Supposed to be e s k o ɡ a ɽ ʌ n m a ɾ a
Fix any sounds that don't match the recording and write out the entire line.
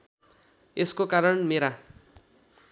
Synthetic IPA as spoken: e s k o k a ɾ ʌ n m e ɾ a